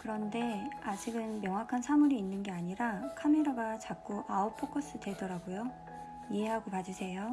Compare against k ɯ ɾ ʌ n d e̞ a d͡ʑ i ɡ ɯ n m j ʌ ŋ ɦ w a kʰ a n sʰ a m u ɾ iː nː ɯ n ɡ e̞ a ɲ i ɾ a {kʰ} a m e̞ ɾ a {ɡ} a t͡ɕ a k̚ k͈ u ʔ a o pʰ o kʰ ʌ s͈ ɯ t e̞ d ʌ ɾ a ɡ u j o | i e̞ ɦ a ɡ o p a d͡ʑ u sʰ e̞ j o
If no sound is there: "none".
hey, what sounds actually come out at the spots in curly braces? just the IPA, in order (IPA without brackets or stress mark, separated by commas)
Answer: kʰ, ɡ